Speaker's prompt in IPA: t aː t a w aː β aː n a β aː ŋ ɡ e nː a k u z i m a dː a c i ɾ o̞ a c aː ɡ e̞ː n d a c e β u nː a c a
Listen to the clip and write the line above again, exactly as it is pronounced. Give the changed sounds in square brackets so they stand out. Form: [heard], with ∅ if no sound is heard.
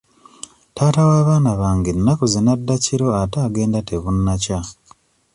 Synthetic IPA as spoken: t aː t a w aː β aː n a β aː ŋ ɡ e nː a k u z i [n] a dː a c i ɾ o̞ a [t] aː ɡ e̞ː n d a [t] e β u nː a c a